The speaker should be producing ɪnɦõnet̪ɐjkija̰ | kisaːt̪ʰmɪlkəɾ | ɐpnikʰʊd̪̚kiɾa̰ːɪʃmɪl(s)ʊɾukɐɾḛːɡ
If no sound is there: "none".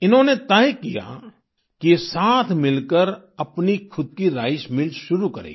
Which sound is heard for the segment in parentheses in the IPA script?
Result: ʃ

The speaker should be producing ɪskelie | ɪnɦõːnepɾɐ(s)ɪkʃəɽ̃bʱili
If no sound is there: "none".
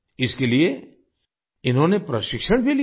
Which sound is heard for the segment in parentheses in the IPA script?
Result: ʃ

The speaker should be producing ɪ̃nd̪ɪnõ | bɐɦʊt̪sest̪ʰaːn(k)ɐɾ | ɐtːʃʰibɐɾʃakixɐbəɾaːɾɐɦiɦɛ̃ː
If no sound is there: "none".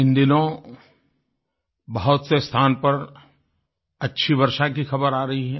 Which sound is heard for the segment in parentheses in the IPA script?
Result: p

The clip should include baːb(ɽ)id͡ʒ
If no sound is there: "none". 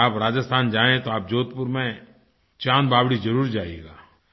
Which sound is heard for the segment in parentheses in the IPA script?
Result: ɽ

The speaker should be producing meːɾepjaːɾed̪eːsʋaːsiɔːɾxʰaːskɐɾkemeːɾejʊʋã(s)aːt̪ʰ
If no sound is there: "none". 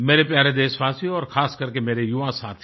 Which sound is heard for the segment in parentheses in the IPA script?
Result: s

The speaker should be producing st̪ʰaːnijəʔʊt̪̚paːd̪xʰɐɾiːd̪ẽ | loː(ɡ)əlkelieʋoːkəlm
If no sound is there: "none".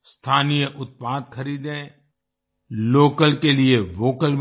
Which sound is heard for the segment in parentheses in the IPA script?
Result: k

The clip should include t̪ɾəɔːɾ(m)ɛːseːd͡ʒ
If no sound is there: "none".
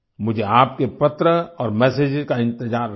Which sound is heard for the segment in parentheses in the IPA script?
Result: m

